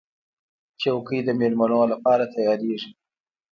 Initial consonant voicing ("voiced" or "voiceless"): voiceless